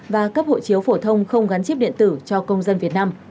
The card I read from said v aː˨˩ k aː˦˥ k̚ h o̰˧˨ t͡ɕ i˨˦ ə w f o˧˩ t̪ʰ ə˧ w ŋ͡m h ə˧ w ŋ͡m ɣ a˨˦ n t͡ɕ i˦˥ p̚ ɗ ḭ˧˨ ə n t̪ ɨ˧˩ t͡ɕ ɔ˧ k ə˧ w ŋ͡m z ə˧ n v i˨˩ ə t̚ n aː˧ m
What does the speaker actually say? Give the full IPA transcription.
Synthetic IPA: v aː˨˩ k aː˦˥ k̚ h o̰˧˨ t͡ɕ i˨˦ ə w f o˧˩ t̪ʰ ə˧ w ŋ͡m x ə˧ w ŋ͡m ɣ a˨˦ n t͡ɕ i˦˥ p̚ ɗ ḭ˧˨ ə n t̪ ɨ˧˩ t͡ɕ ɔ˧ k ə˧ w ŋ͡m z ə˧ n v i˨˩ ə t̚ n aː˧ m